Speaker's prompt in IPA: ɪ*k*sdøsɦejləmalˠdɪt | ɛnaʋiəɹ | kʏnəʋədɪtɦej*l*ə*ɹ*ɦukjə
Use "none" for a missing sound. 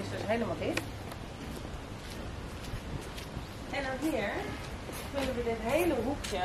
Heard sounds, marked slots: none, l, none

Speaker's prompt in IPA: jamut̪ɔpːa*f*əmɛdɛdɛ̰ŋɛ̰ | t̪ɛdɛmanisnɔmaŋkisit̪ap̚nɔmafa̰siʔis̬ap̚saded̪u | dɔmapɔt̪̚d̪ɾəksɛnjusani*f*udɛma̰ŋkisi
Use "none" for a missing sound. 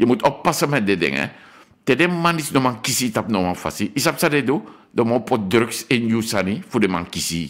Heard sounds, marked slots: s, f

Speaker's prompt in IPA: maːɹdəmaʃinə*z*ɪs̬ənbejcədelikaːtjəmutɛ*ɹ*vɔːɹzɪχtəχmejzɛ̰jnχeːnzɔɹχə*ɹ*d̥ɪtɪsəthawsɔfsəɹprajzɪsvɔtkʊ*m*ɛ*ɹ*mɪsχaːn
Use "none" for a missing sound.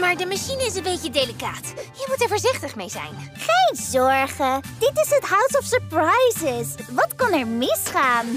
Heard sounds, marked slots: none, ɹ, none, n, ɹ

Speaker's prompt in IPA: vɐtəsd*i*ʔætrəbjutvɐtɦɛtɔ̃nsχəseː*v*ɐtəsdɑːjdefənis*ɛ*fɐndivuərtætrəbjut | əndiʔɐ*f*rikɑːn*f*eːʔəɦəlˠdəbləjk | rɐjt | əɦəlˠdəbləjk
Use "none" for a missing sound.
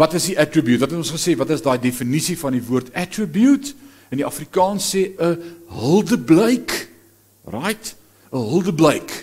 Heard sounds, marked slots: i, v, i, f, s

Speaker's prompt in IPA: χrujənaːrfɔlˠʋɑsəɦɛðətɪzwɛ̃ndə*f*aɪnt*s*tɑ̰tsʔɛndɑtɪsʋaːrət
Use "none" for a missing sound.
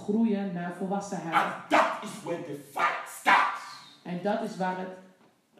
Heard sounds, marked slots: f, s

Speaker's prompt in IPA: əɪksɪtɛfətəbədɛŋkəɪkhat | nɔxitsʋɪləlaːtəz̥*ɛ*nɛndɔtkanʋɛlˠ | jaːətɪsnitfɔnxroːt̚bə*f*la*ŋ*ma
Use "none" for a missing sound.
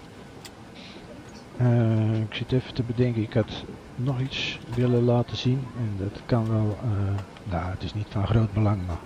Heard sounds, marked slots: i, none, ŋ

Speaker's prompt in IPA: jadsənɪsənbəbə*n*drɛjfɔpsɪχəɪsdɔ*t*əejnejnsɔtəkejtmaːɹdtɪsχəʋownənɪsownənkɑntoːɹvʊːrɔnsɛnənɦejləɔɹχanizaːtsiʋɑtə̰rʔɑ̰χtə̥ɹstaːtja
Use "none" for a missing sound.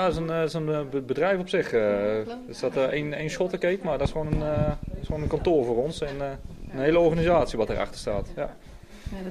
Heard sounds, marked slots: none, t

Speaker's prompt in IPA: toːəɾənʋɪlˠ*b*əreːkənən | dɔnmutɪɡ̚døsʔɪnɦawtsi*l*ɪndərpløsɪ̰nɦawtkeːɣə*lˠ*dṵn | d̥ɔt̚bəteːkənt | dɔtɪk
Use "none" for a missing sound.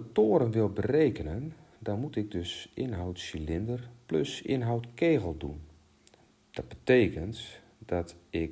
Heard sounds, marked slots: b, l, lˠ

